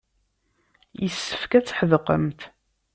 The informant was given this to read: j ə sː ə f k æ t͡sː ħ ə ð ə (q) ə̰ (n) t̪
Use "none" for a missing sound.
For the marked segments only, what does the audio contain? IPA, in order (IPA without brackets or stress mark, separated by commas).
q, m